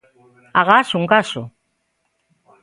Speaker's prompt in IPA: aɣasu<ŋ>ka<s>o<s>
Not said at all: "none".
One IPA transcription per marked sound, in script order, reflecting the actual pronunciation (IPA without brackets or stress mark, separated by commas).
ŋ, s, none